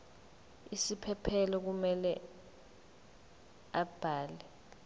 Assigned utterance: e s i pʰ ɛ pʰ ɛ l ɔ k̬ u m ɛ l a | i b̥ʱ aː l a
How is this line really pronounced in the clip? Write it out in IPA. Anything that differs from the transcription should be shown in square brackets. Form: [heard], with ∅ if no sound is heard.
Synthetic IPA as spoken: [i] s i pʰ ɛ pʰ ɛ l ɔ k̬ u m ɛ l [ɛ] | [a] b̥ʱ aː l [ɛ]